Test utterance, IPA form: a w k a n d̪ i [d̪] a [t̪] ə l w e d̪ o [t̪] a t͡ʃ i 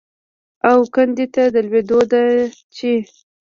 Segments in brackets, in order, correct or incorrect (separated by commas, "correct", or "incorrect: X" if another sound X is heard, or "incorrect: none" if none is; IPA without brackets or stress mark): incorrect: t̪, incorrect: d̪, incorrect: d̪